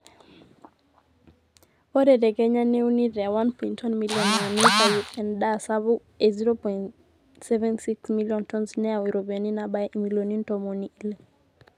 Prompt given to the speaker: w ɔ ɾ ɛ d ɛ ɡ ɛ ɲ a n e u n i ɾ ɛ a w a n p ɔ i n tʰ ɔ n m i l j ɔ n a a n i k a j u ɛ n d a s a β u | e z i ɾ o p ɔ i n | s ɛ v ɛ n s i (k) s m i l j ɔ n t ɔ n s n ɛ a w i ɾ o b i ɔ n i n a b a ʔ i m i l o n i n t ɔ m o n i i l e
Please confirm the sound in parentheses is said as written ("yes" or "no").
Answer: yes